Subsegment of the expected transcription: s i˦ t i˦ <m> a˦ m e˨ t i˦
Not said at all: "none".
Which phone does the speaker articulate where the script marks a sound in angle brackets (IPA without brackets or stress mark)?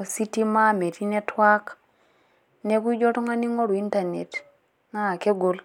m